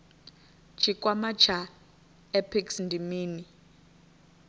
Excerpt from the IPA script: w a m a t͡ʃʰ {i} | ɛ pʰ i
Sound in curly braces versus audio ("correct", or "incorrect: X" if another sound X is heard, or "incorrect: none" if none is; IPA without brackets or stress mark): incorrect: a